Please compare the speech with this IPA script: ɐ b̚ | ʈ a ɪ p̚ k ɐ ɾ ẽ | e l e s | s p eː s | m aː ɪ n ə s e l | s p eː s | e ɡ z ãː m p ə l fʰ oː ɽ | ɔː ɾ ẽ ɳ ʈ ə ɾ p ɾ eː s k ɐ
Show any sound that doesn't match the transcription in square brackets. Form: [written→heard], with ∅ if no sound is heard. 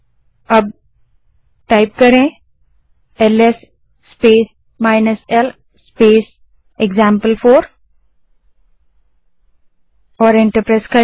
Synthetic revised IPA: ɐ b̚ | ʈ a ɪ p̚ k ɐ ɾ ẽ | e l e s | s p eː s | m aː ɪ n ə s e l | s p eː s | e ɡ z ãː m p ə l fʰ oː [ɽ→ɾ] | ɔː ɾ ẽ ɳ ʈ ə ɾ p ɾ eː s k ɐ

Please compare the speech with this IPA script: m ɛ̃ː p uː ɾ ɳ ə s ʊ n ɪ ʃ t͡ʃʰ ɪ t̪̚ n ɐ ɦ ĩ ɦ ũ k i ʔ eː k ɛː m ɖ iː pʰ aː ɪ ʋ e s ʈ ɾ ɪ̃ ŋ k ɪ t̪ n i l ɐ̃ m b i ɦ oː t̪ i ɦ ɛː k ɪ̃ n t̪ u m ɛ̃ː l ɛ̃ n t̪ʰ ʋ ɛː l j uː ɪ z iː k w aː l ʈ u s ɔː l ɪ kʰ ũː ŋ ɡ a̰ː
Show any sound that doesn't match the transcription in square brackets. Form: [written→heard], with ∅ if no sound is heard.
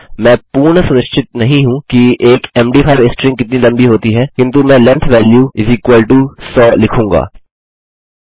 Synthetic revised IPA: m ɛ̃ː p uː ɾ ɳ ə s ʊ n ɪ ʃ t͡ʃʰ ɪ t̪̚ n ɐ ɦ ĩ ɦ ũ k i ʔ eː k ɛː m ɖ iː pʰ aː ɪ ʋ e s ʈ ɾ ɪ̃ ŋ k ɪ t̪ n i l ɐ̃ m b i ɦ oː t̪ i ɦ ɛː k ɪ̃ n t̪ u m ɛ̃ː l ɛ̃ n t̪ʰ ʋ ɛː l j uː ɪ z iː k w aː l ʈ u s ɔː l ɪ kʰ ũː ŋ ɡ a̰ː

